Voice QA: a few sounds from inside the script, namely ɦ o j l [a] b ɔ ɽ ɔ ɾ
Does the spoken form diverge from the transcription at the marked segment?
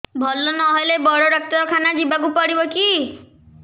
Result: yes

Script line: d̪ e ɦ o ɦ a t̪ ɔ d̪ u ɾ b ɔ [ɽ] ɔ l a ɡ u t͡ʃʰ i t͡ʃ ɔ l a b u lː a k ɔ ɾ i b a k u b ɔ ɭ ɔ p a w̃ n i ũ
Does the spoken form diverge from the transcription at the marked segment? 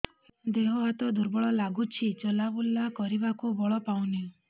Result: yes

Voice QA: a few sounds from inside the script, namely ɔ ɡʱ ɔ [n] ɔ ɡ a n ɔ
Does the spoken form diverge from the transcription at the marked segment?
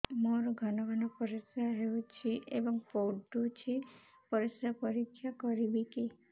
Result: no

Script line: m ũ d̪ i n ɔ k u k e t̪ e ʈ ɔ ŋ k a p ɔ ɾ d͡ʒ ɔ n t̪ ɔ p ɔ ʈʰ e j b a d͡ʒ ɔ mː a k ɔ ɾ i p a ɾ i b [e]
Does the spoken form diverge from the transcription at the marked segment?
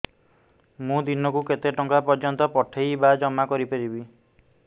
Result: yes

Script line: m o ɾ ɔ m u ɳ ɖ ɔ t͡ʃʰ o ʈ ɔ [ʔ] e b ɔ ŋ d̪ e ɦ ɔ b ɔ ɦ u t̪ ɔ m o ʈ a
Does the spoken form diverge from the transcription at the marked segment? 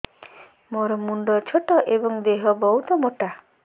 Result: no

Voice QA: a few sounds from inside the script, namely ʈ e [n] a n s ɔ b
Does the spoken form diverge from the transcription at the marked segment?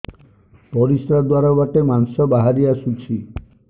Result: yes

